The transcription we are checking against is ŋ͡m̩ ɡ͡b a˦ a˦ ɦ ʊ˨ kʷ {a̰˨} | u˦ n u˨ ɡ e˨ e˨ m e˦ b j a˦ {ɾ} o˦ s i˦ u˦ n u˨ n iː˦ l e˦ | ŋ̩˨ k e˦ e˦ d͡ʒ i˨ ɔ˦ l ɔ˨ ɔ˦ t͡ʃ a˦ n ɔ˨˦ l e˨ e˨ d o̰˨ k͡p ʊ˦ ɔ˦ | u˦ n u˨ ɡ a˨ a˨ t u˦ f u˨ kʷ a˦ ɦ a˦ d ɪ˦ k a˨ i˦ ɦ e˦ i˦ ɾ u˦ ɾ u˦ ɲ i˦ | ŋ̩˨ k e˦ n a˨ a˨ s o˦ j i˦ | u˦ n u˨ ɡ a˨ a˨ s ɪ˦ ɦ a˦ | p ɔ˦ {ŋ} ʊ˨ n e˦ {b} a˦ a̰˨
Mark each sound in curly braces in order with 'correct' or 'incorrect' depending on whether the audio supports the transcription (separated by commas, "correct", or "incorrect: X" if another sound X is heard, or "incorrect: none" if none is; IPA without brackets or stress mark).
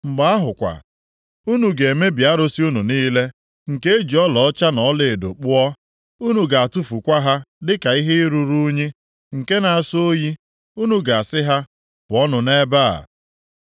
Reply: correct, correct, incorrect: n, correct